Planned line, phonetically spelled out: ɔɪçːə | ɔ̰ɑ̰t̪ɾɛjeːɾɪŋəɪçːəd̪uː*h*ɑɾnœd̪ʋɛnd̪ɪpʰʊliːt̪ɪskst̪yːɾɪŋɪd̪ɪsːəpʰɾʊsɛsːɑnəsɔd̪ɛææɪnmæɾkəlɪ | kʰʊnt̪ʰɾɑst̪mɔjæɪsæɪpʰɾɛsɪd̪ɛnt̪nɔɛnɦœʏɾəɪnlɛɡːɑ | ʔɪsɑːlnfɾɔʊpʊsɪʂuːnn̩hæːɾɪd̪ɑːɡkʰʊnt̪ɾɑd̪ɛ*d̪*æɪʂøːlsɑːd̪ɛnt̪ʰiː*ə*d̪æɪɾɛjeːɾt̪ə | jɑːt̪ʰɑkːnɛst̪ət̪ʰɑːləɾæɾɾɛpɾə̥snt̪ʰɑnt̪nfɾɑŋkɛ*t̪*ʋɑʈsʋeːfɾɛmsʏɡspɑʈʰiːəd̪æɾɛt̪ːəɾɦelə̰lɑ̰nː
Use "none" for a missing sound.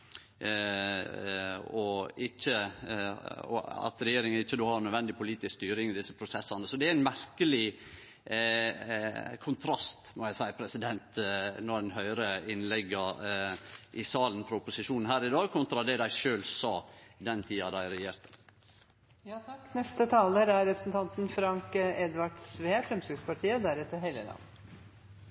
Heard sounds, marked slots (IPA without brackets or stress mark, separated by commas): h, d̪, ɑ, d̪